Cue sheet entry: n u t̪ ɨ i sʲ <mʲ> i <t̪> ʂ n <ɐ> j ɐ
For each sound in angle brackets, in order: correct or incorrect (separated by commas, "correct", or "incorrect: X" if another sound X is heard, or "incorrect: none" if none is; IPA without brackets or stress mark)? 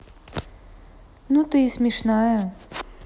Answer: correct, incorrect: none, incorrect: a